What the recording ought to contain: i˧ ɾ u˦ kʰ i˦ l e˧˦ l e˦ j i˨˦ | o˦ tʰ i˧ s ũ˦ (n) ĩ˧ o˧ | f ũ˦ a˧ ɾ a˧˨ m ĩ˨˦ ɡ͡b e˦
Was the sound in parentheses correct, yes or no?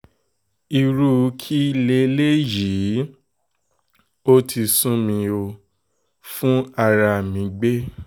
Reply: no